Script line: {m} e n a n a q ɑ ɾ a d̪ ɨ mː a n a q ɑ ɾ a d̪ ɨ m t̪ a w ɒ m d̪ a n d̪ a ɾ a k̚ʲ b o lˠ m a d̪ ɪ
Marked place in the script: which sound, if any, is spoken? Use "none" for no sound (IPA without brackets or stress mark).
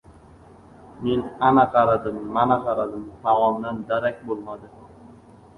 m